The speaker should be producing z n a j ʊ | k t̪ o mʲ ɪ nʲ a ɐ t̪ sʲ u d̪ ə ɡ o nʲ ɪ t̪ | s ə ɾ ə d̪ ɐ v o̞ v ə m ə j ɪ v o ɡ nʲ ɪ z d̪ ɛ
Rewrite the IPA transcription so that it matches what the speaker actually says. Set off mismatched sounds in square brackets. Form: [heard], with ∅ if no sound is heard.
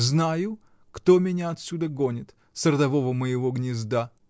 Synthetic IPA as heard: z n a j ʊ | k t̪ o mʲ ɪ nʲ a ɐ t̪ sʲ u d̪ ə ɡ o nʲ ɪ t̪ | s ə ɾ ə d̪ ɐ v o̞ v ə m ə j ɪ v o ɡ nʲ ɪ z d̪ [a]